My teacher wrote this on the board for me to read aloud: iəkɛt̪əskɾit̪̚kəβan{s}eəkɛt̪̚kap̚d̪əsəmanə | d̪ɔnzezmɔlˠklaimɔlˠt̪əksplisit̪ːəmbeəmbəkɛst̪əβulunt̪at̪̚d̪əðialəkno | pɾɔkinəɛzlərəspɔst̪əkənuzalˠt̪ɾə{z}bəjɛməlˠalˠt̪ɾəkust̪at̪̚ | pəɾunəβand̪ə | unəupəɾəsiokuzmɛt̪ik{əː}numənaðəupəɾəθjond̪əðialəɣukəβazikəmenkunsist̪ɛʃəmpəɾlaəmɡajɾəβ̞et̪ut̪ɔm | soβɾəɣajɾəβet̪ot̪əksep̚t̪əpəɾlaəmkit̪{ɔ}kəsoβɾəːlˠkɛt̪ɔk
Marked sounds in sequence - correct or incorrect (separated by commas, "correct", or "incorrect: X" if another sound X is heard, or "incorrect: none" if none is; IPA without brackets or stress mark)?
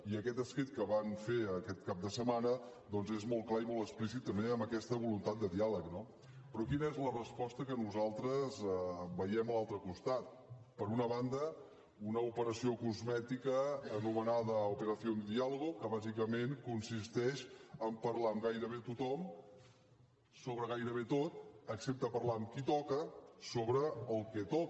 incorrect: f, correct, correct, correct